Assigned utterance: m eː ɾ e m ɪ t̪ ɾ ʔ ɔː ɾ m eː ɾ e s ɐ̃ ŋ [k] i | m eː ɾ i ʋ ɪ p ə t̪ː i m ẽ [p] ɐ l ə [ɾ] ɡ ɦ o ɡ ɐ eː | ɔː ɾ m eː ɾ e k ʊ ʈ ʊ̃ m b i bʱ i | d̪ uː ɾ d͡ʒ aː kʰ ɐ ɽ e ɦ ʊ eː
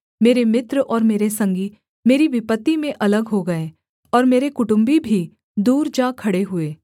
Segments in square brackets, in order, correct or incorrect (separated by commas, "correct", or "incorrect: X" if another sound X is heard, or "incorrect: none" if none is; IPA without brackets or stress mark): incorrect: ɡ, incorrect: ʔ, incorrect: none